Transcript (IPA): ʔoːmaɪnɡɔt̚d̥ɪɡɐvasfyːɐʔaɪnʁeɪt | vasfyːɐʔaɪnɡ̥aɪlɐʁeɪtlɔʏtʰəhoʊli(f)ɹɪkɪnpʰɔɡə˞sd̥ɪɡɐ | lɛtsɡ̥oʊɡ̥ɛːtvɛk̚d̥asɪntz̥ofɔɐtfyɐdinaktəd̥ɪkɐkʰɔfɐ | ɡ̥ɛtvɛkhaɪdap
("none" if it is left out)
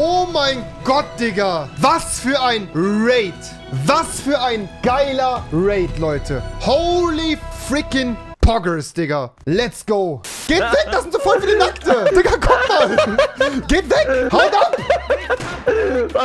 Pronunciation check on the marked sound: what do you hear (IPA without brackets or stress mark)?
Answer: f